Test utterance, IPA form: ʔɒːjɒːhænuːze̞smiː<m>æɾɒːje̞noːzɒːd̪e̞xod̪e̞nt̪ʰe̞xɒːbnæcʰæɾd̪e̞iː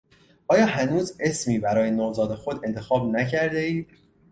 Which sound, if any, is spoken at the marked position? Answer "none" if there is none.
b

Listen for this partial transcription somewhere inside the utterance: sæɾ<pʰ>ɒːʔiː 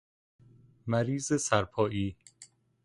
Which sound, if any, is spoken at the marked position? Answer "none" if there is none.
pʰ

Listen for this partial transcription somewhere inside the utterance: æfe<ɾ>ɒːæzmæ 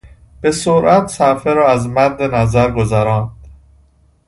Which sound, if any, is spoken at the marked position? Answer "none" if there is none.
ɾ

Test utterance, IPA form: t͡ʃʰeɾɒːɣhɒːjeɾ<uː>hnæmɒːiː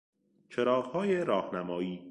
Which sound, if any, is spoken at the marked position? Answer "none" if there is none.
ɒː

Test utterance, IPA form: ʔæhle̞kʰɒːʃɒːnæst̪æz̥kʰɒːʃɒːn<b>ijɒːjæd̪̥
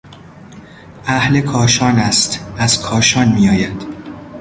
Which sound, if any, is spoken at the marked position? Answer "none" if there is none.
m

